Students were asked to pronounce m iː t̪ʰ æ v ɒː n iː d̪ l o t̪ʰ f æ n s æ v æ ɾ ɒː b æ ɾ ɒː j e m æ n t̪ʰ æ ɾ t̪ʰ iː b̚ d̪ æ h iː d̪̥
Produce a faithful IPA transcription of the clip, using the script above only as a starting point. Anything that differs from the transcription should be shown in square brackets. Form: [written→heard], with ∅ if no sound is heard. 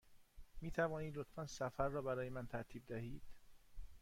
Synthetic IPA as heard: m iː t̪ʰ æ v ɒː n iː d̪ l o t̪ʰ f æ n s æ [v→f] æ [ɾ→ɾː] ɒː b æ ɾ ɒː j e m æ n t̪ʰ æ ɾ t̪ʰ iː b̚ d̪ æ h iː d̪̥